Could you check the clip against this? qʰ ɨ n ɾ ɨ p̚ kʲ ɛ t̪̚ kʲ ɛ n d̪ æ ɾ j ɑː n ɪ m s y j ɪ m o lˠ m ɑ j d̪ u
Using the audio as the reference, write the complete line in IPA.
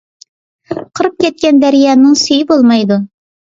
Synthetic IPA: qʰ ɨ ɾ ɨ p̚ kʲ ɛ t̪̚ kʲ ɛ n d̪ æ ɾ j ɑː n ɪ ŋ s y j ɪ b o lˠ m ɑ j d̪ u